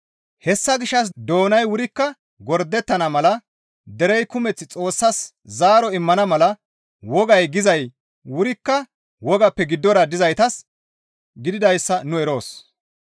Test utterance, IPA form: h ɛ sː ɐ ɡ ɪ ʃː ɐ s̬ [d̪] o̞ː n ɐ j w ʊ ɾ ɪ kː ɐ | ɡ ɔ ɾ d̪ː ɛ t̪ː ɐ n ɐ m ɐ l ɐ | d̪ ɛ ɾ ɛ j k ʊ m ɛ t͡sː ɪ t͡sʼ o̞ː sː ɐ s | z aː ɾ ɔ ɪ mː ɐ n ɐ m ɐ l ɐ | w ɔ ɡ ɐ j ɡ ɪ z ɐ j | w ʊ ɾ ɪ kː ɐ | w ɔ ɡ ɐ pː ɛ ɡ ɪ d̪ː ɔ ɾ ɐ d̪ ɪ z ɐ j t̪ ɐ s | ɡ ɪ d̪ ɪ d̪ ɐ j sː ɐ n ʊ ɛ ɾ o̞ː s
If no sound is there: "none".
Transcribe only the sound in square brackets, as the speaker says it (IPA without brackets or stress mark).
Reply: d̪